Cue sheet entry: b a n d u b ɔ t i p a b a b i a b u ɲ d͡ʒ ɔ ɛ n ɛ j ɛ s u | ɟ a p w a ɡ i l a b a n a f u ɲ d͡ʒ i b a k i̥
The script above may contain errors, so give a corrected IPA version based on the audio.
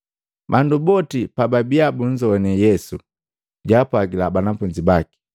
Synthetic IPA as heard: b a n d u b ɔ t i p a b a b i a b u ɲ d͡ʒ ɔ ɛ n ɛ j ɛ s u | ɟ a p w a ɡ i l a b a n a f u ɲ d͡ʒ i b a k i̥